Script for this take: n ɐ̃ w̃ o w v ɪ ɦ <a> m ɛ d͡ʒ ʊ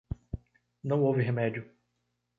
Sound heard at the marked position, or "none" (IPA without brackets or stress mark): e